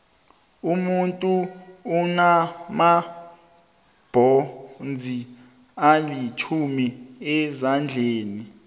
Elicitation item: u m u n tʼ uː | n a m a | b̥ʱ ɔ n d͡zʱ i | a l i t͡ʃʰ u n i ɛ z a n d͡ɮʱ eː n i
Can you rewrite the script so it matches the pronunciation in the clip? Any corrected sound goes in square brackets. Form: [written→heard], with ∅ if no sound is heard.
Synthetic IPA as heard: u m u n tʼ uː | n a m a | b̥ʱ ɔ n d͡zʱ i | a l i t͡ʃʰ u [n→m] i ɛ z a n d͡ɮʱ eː n i